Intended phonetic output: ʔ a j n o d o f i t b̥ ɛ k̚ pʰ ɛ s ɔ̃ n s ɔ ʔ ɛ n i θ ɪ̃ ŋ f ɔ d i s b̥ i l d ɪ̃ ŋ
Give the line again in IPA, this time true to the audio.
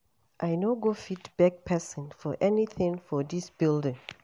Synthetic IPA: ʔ a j n o ɡ o f i t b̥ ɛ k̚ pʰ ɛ s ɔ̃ n f ɔ ʔ ɛ n i θ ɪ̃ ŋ f ɔ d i s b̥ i l d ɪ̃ ŋ